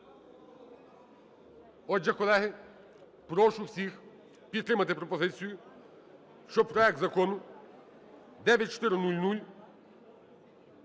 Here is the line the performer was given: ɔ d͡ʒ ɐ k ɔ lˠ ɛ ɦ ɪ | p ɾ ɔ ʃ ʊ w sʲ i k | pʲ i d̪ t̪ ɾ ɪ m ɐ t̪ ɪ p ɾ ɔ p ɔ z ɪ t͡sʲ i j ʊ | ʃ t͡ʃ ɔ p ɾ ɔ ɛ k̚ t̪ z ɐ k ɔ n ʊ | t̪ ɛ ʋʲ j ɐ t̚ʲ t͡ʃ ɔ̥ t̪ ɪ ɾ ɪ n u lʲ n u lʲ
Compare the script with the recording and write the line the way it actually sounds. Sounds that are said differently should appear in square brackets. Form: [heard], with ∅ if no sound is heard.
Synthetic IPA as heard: ɔ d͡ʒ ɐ k ɔ lˠ ɛ ɦ ɪ | p ɾ ɔ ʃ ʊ w sʲ i [x] | pʲ i d̪ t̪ ɾ ɪ m ɐ t̪ ɪ p ɾ ɔ p ɔ z ɪ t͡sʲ i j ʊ | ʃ t͡ʃ ɔ p ɾ ɔ ɛ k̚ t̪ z ɐ k ɔ n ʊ | [d̪] ɛ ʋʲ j ɐ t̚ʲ t͡ʃ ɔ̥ t̪ ɪ ɾ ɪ n u lʲ n u lʲ

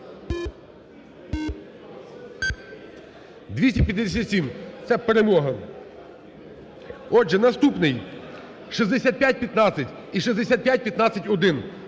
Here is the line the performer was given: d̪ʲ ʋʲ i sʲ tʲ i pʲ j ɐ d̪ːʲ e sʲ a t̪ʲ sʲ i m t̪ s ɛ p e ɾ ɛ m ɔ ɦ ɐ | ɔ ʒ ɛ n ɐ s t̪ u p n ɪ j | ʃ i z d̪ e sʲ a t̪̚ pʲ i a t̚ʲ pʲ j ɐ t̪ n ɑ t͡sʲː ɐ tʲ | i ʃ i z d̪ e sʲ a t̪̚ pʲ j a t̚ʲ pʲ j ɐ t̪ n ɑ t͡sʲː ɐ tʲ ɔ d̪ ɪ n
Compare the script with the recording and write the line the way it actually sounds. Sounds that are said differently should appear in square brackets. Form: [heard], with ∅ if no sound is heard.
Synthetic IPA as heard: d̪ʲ ʋʲ i sʲ tʲ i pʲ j ɐ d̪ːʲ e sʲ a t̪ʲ sʲ i m t̪ s ɛ p e ɾ [e] m ɔ ɦ ɐ | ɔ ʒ ɛ n ɐ s t̪ u p n ɪ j | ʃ i z d̪ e sʲ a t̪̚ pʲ [j] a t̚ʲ pʲ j ɐ t̪ n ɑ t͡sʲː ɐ tʲ | i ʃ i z d̪ e sʲ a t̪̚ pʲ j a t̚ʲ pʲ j ɐ t̪ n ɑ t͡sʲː ɐ tʲ ɔ d̪ ɪ n

